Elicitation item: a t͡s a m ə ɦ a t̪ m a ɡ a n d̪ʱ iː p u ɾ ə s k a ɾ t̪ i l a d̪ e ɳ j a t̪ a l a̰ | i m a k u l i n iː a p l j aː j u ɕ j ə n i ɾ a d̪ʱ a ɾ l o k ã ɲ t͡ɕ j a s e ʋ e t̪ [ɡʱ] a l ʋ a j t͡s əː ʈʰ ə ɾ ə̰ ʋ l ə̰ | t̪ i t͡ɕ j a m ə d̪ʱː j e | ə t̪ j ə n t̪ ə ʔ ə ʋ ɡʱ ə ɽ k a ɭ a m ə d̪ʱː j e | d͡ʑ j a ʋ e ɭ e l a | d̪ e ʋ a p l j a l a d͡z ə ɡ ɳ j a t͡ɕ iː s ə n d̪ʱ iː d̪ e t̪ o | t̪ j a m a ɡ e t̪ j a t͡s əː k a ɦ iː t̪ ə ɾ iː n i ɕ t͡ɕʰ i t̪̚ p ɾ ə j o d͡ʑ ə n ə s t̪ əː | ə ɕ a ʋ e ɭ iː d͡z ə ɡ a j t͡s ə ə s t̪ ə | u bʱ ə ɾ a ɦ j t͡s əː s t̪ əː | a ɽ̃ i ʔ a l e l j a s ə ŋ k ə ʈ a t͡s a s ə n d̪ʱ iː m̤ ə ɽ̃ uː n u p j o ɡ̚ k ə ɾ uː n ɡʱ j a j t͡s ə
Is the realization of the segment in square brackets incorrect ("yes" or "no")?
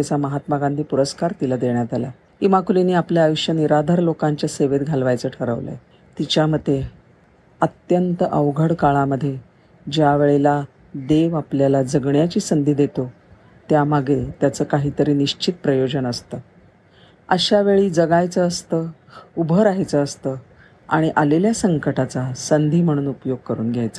no